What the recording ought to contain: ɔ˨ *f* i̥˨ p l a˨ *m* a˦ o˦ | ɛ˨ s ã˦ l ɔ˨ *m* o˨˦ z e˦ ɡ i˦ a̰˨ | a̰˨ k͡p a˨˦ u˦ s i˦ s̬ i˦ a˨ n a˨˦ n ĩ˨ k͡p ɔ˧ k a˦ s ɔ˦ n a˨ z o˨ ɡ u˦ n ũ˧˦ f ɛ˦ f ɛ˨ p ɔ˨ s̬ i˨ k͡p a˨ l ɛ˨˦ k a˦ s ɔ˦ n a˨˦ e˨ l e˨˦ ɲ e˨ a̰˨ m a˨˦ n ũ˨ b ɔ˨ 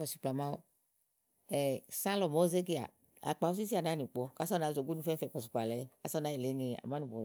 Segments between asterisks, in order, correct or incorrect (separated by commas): incorrect, correct, correct